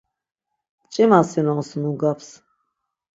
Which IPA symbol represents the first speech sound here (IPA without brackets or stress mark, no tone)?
t͡ʃʼ